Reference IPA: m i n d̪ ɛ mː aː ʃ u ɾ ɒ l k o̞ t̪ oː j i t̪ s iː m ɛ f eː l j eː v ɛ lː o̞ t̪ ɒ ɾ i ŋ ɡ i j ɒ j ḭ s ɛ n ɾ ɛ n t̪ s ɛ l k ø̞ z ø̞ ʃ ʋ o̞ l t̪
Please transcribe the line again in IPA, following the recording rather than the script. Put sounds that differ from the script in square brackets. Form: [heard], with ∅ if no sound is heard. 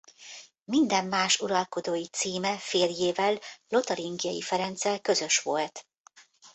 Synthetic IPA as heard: m i n d̪ ɛ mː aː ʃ u ɾ ɒ l k o̞ [d̪] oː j i t̪ s iː m ɛ f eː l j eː v ɛ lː o̞ t̪ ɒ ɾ i ŋ ɡ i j ɒ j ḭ [f] ɛ [∅] ɾ ɛ n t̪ s ɛ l k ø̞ z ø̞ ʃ ʋ o̞ l t̪